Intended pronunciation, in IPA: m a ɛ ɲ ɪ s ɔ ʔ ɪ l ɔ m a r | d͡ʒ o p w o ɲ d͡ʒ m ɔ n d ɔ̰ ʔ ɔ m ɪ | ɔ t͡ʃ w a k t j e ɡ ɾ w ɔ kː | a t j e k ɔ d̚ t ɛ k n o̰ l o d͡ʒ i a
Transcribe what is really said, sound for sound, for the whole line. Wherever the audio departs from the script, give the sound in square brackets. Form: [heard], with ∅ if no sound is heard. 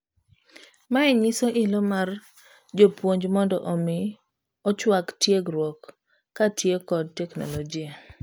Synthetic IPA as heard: m a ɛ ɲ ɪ s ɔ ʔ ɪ l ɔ m a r | d͡ʒ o p w o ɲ d͡ʒ m ɔ n d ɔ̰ ʔ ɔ m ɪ | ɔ t͡ʃ w a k t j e ɡ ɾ w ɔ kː | a t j e k ɔ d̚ t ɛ k n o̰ l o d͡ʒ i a